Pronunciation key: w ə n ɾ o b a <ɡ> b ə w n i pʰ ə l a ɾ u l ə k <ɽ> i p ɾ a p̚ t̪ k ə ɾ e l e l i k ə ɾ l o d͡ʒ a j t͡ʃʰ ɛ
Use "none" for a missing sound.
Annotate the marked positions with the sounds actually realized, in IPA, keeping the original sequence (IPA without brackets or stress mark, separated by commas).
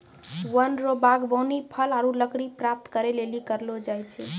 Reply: ɡ, ɽ